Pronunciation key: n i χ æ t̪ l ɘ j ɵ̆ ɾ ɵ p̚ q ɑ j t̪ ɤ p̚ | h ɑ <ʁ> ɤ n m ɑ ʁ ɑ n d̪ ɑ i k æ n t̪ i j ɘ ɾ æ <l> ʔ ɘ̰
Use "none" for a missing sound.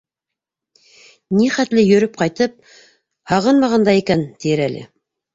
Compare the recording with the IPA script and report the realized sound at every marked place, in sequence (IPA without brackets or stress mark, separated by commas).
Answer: ʁ, l